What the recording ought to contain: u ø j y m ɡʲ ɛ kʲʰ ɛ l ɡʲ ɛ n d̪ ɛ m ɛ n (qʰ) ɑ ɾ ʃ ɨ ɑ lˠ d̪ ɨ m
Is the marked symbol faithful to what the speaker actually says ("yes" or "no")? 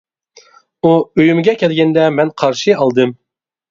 yes